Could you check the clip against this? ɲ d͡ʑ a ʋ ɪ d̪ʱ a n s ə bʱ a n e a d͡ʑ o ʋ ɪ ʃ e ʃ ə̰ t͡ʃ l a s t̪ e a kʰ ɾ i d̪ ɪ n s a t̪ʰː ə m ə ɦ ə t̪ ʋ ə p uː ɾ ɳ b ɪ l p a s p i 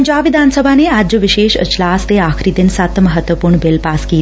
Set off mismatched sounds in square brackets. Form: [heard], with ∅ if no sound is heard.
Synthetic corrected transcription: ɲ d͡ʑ a ʋ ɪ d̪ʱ a n s ə bʱ a n e a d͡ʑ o ʋ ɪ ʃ e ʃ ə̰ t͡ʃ l a s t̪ e a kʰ ɾ i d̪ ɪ n s a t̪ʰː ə m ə ɦ ə t̪ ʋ ə p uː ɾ ɳ b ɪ l p a s [k] i